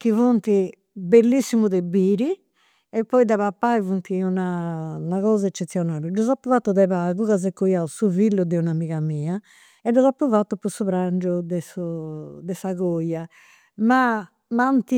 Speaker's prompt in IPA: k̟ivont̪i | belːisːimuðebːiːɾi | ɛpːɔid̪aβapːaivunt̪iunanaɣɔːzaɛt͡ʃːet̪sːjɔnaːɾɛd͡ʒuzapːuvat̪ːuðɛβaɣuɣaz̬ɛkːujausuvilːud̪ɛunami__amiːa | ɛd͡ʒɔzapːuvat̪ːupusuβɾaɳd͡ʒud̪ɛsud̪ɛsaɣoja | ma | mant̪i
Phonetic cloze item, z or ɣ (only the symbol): ɣ